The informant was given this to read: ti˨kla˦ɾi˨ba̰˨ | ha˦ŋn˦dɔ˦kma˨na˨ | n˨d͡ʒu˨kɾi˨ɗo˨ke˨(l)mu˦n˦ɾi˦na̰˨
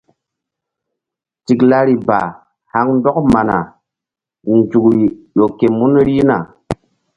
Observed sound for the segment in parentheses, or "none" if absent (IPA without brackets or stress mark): none